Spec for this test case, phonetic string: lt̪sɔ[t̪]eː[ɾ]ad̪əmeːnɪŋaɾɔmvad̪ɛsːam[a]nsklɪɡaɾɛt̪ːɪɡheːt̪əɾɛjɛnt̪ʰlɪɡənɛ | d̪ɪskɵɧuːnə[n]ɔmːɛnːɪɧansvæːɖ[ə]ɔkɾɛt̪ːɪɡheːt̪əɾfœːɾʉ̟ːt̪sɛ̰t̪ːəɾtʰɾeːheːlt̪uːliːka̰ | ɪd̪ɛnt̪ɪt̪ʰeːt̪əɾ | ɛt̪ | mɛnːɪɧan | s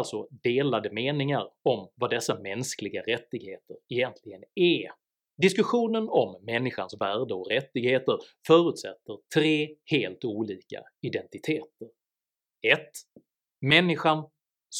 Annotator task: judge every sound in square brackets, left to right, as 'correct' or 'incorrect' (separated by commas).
incorrect, incorrect, incorrect, correct, correct